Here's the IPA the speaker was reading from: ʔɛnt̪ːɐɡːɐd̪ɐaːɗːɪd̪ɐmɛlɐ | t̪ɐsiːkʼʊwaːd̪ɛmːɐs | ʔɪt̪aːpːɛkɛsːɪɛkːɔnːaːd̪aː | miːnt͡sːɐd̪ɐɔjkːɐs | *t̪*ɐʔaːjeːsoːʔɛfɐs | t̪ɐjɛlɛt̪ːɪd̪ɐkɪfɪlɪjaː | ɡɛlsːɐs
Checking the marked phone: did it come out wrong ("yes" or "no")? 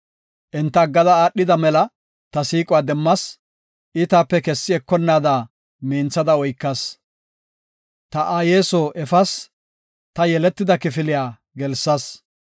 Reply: no